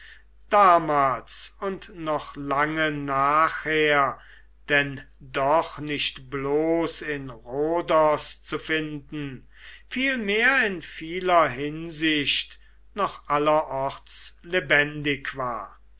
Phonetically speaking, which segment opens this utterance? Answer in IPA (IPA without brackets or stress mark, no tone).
d̥